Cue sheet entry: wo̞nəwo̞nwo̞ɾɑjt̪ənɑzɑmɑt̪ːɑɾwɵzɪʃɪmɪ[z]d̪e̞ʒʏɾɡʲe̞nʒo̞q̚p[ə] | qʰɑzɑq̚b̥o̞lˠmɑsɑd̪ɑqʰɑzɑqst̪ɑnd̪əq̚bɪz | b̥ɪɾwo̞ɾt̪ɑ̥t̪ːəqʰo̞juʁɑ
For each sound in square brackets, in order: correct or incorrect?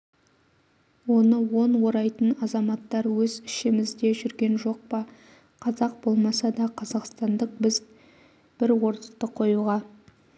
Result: correct, incorrect

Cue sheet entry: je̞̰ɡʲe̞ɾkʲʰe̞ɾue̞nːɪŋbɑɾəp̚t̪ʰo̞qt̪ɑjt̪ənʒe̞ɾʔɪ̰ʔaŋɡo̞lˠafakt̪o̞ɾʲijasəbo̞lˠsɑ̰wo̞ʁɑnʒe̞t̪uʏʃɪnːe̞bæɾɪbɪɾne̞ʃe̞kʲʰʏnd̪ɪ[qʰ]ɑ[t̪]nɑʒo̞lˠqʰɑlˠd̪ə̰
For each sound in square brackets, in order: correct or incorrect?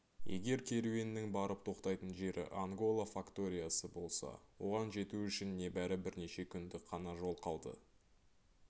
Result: correct, incorrect

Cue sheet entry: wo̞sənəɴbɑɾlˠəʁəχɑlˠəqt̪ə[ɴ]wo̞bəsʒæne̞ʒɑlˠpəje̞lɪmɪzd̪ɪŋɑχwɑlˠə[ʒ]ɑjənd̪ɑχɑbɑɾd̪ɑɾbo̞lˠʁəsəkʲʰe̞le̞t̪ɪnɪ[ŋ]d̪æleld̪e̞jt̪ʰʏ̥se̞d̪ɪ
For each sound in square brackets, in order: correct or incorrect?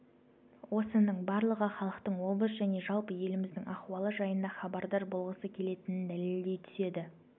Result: correct, correct, incorrect

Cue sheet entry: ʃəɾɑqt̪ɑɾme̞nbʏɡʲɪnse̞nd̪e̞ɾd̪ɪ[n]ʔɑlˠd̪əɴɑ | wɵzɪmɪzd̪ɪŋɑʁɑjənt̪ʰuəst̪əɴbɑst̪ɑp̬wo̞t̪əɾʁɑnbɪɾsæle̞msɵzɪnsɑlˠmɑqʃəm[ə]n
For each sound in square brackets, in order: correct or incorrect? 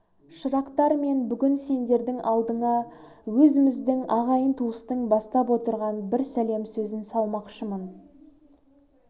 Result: incorrect, correct

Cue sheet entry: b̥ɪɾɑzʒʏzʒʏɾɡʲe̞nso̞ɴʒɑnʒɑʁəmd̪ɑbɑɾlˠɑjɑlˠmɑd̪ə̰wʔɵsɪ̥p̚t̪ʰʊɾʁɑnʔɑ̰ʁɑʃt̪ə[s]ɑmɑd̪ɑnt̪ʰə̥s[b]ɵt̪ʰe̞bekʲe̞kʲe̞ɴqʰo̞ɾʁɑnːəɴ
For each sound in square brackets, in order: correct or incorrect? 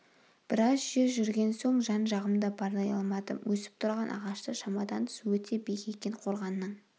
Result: incorrect, incorrect

